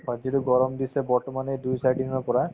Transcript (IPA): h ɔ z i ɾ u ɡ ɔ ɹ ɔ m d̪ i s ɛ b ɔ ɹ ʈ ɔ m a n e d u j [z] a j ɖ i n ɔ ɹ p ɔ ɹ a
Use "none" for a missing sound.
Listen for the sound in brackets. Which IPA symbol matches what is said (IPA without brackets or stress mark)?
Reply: s